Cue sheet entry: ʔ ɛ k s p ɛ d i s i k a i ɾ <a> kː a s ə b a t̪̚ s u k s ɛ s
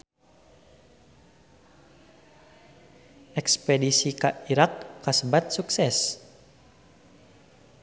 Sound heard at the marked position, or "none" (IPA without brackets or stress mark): a